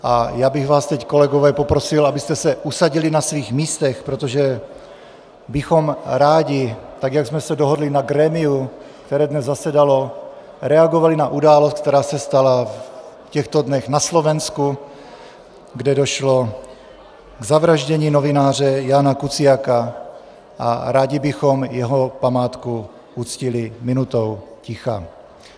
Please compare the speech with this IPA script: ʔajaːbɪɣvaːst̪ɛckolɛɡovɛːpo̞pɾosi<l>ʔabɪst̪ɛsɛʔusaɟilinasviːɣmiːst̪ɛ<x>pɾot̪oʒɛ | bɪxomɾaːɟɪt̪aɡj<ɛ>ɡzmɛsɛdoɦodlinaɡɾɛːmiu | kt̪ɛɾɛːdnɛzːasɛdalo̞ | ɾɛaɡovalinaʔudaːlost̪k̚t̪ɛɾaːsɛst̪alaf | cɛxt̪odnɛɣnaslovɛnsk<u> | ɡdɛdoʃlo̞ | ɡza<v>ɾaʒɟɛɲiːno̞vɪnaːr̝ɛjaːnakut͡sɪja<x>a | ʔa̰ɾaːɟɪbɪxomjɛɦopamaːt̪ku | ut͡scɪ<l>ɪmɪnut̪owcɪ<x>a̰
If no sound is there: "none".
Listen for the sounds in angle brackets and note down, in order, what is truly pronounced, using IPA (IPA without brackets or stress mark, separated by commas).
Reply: l, x, a, u, v, k, l, x